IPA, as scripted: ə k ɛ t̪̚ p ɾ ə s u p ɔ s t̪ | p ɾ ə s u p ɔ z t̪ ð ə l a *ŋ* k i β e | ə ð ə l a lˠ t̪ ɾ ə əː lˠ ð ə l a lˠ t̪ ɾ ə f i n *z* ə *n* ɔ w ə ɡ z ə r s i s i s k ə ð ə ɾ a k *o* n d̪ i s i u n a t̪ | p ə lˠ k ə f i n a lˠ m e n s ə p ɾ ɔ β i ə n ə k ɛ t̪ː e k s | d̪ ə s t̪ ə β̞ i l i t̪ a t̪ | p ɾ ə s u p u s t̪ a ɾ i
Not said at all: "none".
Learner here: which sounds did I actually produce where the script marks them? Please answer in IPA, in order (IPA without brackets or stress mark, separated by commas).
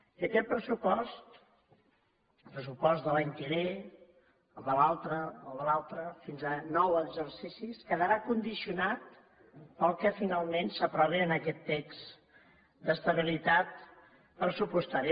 ɲ, z, n, u